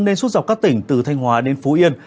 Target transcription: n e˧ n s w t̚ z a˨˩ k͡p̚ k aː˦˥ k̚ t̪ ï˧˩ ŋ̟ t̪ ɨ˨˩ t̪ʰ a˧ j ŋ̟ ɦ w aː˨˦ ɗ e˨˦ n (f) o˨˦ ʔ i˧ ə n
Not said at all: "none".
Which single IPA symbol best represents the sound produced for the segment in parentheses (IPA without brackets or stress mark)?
f